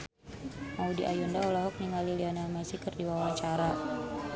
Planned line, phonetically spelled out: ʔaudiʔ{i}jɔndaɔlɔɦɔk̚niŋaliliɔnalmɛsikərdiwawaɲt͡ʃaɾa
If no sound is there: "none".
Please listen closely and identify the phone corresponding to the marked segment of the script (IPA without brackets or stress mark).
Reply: a